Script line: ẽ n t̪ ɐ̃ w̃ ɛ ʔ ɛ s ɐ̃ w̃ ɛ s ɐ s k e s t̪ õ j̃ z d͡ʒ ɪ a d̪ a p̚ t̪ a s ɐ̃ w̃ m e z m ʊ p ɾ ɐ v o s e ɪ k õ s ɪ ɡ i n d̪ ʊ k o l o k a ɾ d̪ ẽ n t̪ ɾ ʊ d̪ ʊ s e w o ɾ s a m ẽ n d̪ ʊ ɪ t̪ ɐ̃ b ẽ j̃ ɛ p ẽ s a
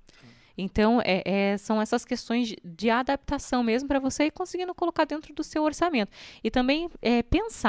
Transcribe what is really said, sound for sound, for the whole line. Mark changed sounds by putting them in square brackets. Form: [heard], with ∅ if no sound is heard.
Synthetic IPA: ẽ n t̪ ɐ̃ w̃ ɛ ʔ ɛ s ɐ̃ w̃ ɛ s ɐ s k e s t̪ õ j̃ z d͡ʒ ɪ a d̪ a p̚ t̪ a s ɐ̃ w̃ m e z m ʊ p ɾ ɐ v o s e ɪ k õ s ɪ ɡ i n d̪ ʊ k o l o k a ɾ d̪ ẽ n t̪ ɾ ʊ d̪ ʊ s e w o ɾ s a m ẽ n [t̪] ʊ ɪ t̪ ɐ̃ b ẽ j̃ ɛ p ẽ s a